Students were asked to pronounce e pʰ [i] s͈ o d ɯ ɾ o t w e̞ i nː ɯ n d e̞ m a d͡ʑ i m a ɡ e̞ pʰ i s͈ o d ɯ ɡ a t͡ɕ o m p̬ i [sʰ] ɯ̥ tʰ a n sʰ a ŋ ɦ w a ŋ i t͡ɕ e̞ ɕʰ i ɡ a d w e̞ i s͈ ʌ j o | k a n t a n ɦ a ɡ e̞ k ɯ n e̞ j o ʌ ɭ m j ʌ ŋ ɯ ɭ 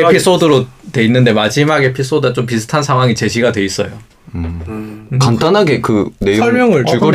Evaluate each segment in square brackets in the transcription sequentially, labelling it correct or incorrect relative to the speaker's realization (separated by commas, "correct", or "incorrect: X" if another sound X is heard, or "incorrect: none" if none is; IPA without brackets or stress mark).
correct, correct